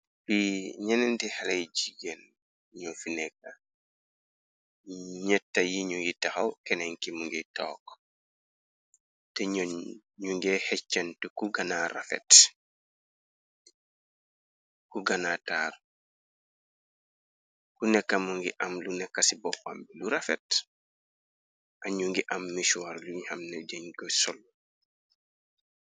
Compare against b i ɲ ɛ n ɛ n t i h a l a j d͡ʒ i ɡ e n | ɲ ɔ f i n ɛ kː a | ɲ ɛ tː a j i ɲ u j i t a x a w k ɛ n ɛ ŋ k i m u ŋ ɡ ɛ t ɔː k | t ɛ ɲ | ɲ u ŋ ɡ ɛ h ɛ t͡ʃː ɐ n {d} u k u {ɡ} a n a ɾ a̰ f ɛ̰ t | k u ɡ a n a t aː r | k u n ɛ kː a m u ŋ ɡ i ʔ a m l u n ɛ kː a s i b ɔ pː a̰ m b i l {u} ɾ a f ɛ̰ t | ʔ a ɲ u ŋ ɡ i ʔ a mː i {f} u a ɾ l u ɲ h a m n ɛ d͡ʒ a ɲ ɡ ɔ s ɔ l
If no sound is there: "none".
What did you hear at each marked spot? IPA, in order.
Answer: t, ɡ, u, ʃ

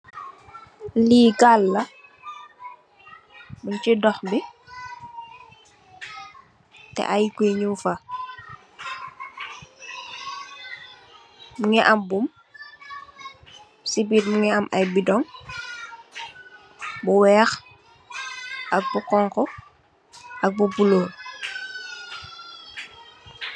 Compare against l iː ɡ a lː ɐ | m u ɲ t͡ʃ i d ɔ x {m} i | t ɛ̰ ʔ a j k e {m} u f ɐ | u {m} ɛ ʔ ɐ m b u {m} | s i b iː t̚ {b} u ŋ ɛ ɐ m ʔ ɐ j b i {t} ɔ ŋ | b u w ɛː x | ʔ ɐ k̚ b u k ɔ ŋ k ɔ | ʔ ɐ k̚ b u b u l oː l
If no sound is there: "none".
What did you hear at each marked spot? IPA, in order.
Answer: b, ɲ, ŋ, m, m, d

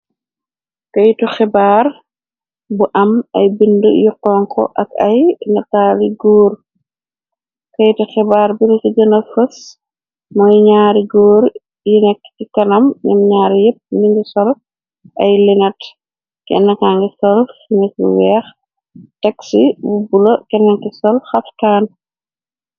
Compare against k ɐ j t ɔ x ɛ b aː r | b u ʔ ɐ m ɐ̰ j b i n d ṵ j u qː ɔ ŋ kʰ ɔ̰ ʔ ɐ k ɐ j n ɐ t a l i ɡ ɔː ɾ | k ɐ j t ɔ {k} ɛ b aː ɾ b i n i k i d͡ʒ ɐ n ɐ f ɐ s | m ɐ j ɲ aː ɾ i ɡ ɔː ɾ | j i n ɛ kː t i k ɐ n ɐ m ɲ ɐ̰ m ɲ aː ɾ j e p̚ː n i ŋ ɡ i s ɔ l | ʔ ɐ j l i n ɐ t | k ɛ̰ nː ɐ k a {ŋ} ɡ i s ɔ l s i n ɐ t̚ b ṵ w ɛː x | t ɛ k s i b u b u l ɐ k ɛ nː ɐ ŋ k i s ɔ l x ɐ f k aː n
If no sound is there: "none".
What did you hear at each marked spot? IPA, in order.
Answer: x, ŋ

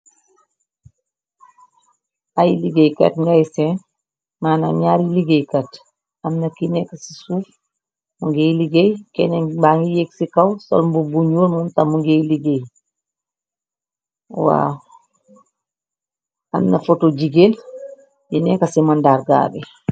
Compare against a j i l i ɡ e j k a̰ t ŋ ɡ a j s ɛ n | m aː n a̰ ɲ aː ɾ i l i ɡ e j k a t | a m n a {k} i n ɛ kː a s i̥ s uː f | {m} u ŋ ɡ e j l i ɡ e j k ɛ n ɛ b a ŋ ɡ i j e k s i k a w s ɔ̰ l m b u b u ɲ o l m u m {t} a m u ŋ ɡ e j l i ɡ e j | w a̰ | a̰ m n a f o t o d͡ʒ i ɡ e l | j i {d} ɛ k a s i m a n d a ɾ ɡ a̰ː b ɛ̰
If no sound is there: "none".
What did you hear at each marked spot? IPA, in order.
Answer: k, m, t, n

